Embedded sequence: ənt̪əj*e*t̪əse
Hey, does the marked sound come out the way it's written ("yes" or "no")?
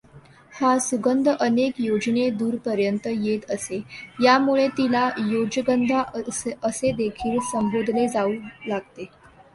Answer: yes